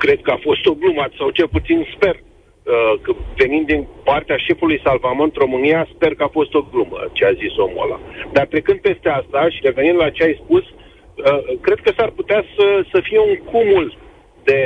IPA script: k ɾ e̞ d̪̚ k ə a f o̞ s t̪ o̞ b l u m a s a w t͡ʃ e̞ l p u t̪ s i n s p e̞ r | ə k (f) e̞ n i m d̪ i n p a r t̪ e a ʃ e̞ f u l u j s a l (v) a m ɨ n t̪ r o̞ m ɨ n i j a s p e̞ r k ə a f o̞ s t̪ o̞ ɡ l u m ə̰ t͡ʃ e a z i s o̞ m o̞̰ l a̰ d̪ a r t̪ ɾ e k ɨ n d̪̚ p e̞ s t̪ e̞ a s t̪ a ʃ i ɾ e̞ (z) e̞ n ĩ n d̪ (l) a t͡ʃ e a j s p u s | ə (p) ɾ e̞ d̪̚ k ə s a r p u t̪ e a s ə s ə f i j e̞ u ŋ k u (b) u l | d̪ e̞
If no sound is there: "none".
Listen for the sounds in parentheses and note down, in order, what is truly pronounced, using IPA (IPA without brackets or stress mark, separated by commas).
v, v, v, l, k, m